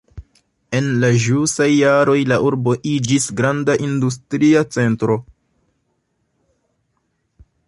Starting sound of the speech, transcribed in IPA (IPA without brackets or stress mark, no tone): e̞